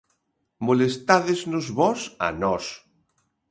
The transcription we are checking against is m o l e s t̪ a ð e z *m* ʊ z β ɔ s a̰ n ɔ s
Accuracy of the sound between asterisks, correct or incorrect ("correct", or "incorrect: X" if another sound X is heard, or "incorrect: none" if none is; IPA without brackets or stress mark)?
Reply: incorrect: n